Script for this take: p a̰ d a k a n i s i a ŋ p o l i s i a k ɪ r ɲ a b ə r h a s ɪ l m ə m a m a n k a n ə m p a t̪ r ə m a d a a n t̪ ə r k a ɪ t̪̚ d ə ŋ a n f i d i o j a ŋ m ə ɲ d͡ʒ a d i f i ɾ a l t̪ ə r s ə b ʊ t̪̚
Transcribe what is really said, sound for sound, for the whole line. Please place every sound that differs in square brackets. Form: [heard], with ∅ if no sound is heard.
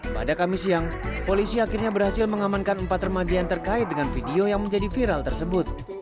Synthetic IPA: p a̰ d a k a [m] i s i a ŋ p o l i s i a k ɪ r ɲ a b ə r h a s ɪ l m ə [ŋ] a m a n k a n ə m p a t̪ r ə m a [d͡ʒ] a a n t̪ ə r k a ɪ t̪̚ d ə ŋ a n f i d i o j a ŋ m ə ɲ d͡ʒ a d i f i ɾ a l t̪ ə r s ə b ʊ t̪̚